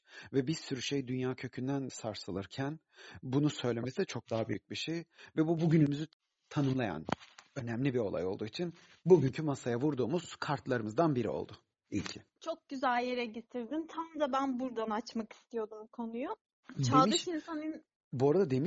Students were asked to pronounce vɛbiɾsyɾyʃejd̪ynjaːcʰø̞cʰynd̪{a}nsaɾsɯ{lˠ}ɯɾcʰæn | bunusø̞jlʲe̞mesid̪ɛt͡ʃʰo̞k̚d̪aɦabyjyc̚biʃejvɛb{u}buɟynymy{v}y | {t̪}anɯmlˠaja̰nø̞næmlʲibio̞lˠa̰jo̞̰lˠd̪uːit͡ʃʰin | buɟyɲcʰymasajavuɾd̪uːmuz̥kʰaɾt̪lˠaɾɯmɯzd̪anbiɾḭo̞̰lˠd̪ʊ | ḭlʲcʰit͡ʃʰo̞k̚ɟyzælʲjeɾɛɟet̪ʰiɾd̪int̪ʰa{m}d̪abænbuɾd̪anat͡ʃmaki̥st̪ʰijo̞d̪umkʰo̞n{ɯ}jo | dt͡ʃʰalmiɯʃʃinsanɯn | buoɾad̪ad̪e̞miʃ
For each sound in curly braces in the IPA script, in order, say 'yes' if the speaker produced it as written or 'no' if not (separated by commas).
no, yes, yes, no, no, yes, no